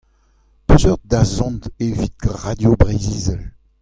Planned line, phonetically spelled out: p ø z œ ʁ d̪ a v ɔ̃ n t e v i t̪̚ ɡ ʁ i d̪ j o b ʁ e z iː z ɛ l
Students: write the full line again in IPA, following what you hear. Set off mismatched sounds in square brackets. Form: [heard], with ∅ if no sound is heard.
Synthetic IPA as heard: p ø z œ ʁ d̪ a [z] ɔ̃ n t e v i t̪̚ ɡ ʁ [a] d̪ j o b ʁ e z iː z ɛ l